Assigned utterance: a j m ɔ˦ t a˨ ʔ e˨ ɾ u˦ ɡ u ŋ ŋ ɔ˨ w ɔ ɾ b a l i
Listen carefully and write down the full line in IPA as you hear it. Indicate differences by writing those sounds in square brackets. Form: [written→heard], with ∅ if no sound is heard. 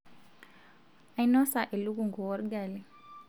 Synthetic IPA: a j [m→n] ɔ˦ [t→s] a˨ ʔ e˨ [ɾ→l] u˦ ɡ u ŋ [ŋ→ɡ] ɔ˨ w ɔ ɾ [b→ɡ] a l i